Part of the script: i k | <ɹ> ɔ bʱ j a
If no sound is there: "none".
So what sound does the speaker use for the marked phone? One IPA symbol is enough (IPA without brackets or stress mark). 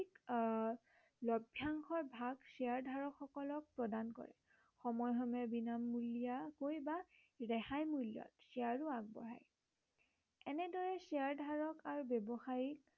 l